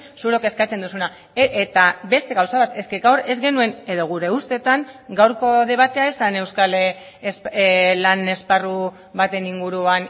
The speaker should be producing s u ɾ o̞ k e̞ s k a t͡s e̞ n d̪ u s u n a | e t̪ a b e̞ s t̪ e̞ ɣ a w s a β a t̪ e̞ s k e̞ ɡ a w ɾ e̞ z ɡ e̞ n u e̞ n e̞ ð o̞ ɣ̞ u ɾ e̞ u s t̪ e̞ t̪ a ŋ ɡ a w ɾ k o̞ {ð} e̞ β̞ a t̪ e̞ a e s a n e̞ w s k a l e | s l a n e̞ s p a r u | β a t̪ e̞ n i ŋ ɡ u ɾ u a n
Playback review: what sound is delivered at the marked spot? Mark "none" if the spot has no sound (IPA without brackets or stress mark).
ð